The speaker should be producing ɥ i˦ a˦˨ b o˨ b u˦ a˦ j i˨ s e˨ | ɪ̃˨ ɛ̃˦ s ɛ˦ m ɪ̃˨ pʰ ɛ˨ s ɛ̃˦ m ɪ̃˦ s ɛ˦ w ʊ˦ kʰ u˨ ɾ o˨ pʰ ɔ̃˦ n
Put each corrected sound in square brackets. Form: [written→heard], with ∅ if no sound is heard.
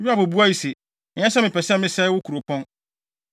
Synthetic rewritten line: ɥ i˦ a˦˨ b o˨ b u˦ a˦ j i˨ s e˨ | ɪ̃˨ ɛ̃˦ s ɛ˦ m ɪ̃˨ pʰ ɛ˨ s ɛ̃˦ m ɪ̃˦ s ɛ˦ w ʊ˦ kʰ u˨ ɾ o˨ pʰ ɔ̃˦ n